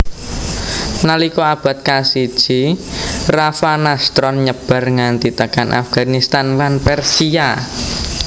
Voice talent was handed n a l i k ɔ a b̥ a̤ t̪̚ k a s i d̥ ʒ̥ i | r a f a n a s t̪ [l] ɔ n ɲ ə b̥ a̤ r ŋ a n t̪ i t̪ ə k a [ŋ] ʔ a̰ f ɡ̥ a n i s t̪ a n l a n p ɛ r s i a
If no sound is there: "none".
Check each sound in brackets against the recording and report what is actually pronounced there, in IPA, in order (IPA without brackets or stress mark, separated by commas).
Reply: ɾ, n